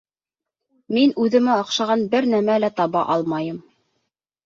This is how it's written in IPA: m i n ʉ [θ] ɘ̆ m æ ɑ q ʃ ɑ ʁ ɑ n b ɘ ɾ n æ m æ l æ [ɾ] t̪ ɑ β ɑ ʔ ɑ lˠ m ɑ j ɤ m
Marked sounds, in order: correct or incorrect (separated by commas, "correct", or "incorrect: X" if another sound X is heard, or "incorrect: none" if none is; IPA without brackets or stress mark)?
incorrect: ð, incorrect: none